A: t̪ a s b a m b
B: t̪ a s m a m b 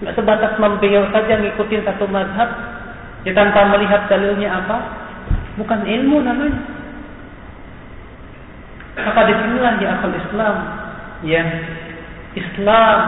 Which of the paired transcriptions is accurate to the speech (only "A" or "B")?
B